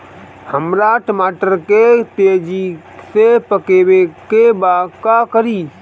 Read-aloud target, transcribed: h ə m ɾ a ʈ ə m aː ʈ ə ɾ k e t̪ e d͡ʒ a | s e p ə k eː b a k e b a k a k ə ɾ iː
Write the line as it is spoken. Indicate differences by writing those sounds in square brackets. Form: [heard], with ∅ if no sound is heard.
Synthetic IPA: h ə m ɾ a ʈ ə m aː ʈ ə ɾ k e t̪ e d͡ʒ [i] | s e p ə k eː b [e] k e b a k a k ə ɾ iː